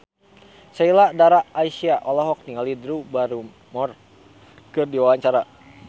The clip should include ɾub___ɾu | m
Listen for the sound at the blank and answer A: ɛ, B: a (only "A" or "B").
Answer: B